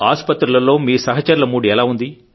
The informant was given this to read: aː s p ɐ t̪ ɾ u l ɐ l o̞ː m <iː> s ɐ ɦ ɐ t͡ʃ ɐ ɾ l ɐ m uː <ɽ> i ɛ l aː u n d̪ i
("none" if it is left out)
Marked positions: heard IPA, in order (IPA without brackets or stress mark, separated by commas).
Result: iː, ɽ